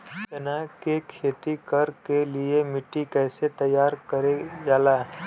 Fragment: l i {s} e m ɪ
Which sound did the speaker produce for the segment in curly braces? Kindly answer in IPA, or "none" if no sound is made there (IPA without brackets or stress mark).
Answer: none